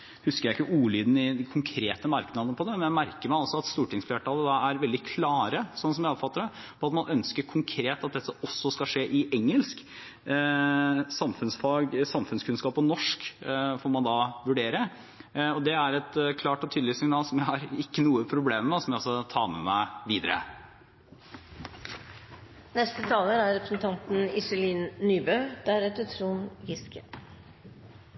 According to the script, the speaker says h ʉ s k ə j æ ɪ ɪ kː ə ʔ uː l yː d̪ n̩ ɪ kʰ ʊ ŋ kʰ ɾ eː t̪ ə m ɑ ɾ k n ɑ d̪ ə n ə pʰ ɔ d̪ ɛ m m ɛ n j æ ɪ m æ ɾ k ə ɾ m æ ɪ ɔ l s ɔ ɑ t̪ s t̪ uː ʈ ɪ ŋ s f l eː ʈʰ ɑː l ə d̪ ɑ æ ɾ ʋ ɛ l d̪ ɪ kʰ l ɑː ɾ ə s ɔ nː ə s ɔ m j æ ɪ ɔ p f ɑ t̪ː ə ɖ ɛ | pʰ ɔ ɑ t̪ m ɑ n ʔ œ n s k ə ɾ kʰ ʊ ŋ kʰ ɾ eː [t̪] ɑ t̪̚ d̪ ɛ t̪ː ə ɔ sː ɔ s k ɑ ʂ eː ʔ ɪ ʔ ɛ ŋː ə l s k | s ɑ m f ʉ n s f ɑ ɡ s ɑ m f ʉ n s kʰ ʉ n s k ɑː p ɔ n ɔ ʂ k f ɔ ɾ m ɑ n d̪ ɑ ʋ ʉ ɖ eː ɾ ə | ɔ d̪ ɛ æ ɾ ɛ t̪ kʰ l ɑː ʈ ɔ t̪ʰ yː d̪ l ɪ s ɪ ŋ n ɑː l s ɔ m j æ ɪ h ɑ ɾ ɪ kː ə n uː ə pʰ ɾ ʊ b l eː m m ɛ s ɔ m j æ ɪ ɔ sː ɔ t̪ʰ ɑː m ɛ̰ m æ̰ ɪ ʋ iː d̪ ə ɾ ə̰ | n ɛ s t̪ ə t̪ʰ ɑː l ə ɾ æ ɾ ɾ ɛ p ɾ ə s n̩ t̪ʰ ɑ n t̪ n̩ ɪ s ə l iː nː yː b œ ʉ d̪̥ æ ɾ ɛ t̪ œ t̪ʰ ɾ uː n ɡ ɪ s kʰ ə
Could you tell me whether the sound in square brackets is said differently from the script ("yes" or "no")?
no